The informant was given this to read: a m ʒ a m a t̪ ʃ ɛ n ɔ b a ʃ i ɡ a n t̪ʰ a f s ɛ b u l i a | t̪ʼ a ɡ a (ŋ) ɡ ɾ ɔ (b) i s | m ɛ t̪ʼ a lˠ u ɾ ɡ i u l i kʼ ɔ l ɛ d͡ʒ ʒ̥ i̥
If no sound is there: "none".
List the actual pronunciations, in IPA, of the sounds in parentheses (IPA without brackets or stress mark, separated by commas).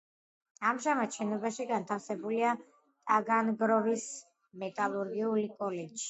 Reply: n, v